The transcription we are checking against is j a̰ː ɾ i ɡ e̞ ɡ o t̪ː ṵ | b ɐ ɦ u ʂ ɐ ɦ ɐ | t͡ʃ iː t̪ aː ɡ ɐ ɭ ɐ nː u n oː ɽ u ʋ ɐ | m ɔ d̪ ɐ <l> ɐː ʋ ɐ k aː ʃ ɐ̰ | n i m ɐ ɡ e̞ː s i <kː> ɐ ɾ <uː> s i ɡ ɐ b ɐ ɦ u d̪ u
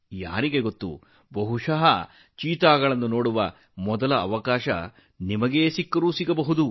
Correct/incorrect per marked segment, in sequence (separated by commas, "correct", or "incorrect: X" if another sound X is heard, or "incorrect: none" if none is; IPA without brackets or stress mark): correct, correct, correct